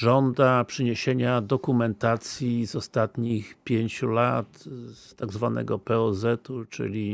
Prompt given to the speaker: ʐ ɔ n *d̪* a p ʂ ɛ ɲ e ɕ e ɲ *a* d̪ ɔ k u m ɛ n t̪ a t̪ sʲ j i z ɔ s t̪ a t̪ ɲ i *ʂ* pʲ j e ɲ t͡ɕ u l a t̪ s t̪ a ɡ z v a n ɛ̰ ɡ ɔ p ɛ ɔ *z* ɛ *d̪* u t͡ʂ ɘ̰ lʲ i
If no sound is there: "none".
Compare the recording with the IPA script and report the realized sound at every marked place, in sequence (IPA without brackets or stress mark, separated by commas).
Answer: d̪, a, x, z, t̪